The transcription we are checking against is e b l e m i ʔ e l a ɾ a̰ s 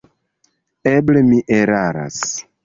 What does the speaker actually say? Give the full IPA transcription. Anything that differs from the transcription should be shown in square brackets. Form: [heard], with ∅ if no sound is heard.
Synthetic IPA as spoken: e b l e m i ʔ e [ɾ] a ɾ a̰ s

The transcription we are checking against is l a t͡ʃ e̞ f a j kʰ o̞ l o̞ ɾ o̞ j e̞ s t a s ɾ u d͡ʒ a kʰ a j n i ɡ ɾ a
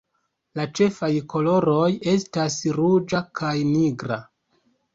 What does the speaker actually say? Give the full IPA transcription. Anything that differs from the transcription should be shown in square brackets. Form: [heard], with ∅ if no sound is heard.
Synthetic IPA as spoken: l a t͡ʃ e̞ f a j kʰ o̞ l o̞ ɾ o̞ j e̞ s t a s ɾ u d͡ʒ a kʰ a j n i ɡ ɾ a

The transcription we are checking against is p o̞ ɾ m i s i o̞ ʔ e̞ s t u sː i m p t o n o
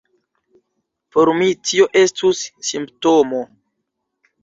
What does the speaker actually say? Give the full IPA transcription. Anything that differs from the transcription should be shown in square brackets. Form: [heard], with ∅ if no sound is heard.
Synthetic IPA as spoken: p o̞ ɾ m i [t] i o̞ ʔ e̞ s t u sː i m p t o [m] o

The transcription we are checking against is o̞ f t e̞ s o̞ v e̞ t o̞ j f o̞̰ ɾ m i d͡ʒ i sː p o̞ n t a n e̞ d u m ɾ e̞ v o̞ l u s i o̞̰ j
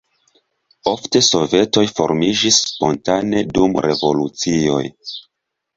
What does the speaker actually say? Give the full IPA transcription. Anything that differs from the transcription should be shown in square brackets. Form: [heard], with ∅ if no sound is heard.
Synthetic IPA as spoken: o̞ f t e̞ s o̞ v e̞ t o̞ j f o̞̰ ɾ m i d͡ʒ i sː p o̞ n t a n e̞ d u m ɾ e̞ v o̞ l u [t͡s] i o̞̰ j

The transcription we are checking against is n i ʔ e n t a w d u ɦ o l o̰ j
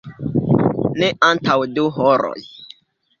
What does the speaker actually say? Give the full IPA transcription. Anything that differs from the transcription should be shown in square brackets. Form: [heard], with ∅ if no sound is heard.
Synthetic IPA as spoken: n [e] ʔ [a] n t a w d u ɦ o [ɾ] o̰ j

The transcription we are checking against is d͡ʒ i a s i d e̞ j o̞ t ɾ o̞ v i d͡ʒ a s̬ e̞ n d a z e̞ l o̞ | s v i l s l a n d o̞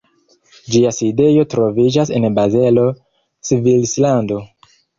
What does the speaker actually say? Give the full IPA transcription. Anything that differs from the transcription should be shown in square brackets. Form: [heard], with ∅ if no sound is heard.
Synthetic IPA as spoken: d͡ʒ i a s i d e̞ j o̞ t ɾ o̞ v i d͡ʒ a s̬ e̞ n [b] a z e̞ l o̞ | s v i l s l a n d o̞

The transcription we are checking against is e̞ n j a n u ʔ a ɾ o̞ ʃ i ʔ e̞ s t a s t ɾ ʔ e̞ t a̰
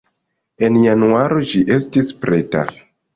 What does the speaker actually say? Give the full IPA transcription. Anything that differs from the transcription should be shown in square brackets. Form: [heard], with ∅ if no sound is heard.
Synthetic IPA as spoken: e̞ n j a n u [∅] a ɾ o̞ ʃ i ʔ e̞ s t [i] s [p] ɾ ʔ e̞ t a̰

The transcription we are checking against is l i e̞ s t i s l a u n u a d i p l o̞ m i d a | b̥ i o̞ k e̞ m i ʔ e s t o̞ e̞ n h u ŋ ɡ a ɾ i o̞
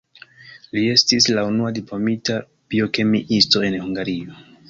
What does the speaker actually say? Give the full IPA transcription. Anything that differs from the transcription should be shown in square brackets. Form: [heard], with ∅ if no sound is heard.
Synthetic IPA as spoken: l i e̞ s t i s l a u n u a d i p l o̞ m i [t] a | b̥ i o̞ k e̞ m i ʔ [i] s t o̞ e̞ n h u ŋ ɡ a ɾ i o̞

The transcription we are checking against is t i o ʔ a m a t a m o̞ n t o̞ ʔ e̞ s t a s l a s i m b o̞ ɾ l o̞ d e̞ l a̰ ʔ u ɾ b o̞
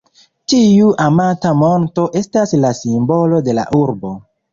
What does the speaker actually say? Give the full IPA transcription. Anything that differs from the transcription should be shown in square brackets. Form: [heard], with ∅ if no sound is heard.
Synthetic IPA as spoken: t i [u] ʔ a m a t a m o̞ n t o̞ ʔ e̞ s t a s l a s i m b o̞ [∅] l o̞ d e̞ l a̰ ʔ u ɾ b o̞

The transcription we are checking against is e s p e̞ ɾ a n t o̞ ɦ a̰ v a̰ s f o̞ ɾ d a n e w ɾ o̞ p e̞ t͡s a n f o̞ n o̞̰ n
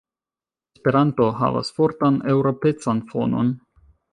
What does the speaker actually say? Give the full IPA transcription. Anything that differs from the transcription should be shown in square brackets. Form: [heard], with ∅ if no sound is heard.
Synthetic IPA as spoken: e s p e̞ ɾ a n t o̞ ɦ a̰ v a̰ s f o̞ ɾ [t] a n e w ɾ o̞ p e̞ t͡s a n f o̞ n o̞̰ n

